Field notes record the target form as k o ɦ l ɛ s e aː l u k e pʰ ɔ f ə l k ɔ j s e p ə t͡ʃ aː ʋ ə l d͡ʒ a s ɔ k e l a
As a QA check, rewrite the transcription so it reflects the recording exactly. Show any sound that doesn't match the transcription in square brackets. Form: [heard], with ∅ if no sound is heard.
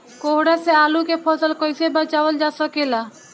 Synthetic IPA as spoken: k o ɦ [ɽ] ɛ s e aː l u k e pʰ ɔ [s] ə l k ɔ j s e [b] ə t͡ʃ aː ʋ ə l d͡ʒ a s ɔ k e l a